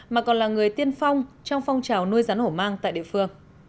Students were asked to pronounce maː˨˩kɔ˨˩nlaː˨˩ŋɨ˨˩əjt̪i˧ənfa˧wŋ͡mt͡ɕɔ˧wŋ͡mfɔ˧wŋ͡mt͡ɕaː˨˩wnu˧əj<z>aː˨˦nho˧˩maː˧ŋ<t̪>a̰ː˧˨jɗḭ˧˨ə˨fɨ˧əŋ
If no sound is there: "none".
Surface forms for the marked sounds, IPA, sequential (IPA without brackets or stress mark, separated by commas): z, t̪